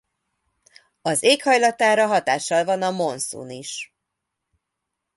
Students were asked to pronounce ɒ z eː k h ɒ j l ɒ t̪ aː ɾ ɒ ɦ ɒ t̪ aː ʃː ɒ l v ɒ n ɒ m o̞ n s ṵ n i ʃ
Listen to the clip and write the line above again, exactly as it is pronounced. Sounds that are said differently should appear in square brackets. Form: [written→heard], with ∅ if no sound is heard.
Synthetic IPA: ɒ z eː k h ɒ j l ɒ t̪ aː ɾ ɒ ɦ ɒ t̪ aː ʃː ɒ l v ɒ n ɒ m o̞ n s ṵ n i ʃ